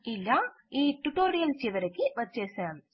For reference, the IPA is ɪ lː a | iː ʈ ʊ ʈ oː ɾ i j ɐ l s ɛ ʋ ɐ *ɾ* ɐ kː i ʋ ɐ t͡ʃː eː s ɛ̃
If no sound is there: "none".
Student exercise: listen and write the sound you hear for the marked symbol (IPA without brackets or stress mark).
ɾ